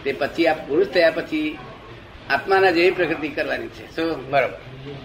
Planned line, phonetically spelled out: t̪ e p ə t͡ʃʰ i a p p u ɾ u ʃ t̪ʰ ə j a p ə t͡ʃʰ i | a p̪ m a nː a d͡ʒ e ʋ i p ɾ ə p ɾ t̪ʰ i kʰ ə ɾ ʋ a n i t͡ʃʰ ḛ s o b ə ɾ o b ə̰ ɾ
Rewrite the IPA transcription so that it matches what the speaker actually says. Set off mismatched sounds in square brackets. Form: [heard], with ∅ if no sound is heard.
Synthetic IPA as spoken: t̪ e p ə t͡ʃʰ i a p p u ɾ u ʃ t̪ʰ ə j a p ə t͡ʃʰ i | a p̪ m a [n] a d͡ʒ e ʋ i p ɾ ə [k] ɾ [t̪] i [k] ə ɾ ʋ a n i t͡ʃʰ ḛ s o b ə ɾ o b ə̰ ɾ